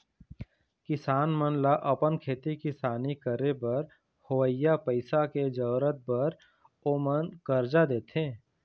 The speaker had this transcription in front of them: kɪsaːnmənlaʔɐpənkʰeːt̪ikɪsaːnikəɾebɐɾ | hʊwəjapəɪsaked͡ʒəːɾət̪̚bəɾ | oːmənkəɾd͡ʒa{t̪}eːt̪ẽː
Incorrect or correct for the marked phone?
incorrect: d̪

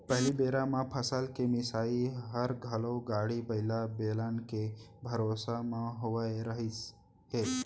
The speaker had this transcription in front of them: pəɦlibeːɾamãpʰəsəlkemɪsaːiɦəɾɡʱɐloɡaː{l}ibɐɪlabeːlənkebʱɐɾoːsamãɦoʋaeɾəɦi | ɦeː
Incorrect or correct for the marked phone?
incorrect: ɽ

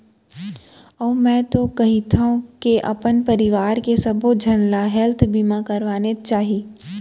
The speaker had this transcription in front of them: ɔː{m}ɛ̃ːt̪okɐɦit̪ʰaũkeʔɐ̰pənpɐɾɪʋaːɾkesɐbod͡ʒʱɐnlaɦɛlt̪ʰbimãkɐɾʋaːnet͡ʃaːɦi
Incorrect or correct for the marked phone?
correct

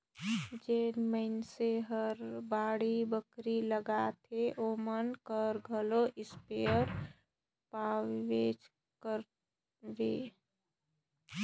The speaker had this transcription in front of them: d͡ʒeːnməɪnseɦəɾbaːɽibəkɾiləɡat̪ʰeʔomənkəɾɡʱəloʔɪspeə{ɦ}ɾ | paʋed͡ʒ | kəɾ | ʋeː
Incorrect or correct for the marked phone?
incorrect: none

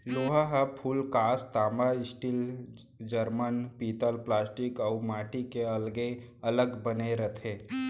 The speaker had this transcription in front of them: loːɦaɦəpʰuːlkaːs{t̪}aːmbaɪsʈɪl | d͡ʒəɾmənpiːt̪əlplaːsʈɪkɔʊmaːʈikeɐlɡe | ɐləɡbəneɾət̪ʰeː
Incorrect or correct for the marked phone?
correct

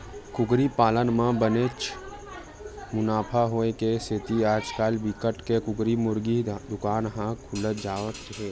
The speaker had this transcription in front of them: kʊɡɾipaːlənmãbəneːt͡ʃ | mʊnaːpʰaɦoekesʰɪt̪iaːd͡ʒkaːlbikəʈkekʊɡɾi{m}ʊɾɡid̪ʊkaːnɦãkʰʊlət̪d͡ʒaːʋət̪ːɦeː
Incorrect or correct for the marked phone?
correct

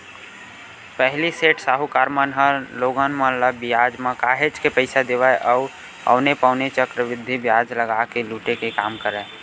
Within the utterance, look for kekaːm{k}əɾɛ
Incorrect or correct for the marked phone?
correct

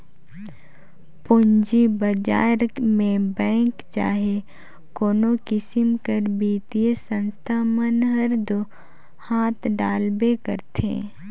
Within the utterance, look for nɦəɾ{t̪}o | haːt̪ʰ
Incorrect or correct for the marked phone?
incorrect: d̪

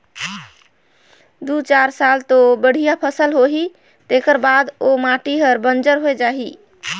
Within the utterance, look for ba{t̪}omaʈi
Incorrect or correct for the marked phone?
incorrect: d̪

